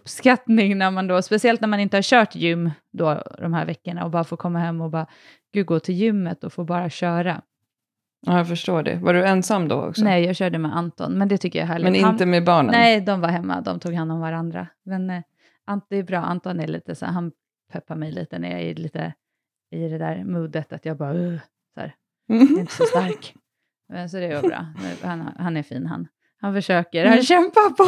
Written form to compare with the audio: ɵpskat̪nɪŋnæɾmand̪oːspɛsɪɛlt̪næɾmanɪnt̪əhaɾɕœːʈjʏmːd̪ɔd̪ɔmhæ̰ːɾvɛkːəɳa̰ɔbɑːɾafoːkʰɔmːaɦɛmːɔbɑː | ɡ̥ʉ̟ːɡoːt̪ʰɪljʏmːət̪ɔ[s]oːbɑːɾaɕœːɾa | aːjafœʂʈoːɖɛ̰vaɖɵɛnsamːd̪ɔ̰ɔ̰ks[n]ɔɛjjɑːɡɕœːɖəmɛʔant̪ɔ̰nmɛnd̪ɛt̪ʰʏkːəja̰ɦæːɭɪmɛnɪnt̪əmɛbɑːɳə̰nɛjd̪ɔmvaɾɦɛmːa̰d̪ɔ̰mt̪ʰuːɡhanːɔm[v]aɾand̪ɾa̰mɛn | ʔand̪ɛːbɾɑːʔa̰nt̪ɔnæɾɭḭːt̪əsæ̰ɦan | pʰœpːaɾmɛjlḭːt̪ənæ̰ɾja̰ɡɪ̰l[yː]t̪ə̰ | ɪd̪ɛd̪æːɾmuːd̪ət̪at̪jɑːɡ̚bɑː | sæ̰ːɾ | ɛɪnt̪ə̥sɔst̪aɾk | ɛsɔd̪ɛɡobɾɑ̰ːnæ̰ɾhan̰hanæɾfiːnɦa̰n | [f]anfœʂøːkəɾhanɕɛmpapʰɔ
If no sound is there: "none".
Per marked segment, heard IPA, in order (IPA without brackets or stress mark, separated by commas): f, n, v, iː, h